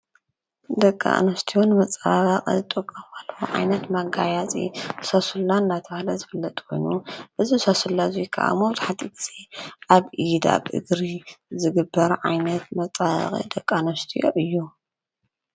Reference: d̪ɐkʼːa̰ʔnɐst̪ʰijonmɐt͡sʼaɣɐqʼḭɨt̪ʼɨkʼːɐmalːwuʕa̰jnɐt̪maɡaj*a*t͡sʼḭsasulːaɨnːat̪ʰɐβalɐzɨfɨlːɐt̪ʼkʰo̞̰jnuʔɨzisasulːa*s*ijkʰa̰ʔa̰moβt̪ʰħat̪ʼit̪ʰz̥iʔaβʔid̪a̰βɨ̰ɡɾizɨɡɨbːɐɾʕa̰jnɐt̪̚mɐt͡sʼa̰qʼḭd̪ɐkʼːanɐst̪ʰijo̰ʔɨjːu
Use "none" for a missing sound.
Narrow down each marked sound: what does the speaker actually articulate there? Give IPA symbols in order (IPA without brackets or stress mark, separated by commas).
a, z